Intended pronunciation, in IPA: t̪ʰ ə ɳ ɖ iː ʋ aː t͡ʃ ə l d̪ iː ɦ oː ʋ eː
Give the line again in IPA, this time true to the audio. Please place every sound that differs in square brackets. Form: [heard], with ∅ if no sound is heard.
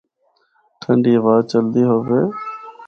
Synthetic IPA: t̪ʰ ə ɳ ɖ iː ʋ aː t͡ʃ ə l d̪ iː ɦ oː ʋ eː